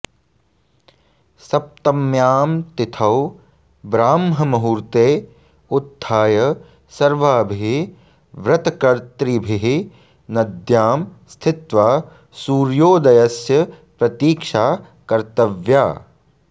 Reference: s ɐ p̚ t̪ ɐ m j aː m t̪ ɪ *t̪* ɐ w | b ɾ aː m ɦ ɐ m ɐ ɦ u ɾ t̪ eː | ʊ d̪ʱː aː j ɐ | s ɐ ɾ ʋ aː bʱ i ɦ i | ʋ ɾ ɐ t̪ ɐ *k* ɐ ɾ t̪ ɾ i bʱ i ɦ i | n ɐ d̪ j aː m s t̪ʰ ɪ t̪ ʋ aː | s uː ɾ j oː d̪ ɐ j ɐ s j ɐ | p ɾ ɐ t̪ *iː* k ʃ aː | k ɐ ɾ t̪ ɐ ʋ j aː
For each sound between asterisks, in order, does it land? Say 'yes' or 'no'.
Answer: no, yes, yes

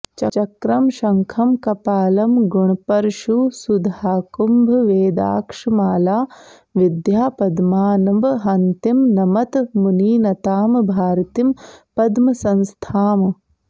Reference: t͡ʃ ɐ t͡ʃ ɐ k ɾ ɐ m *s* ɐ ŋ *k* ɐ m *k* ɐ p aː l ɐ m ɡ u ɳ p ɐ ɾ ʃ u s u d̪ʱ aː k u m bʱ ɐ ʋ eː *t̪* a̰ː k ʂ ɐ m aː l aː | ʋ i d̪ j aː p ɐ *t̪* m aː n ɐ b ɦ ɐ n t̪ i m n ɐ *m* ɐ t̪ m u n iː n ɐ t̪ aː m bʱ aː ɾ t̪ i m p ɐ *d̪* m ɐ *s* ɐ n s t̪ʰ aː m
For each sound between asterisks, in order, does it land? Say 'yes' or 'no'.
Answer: no, no, yes, no, no, yes, yes, yes

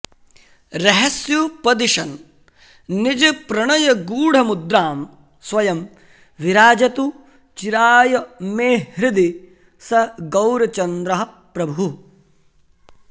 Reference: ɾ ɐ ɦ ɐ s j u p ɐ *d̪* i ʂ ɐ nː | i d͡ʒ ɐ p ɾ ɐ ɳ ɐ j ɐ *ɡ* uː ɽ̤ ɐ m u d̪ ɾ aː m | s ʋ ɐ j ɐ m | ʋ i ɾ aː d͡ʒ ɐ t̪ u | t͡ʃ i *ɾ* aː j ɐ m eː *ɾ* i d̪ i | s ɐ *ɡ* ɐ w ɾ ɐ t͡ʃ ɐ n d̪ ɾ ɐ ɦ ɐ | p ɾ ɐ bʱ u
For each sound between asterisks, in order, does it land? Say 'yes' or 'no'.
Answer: yes, yes, yes, yes, yes

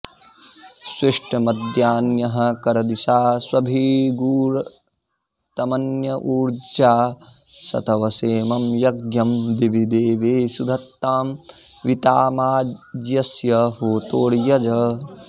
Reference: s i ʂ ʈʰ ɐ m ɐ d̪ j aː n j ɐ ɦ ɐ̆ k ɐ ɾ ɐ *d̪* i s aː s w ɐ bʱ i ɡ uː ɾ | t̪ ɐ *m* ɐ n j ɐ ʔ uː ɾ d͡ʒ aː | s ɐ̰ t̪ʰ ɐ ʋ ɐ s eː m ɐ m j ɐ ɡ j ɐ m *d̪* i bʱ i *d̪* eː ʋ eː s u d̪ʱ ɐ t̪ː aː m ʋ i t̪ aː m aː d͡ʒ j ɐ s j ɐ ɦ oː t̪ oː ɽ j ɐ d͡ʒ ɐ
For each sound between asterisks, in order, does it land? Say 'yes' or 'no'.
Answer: yes, yes, yes, yes

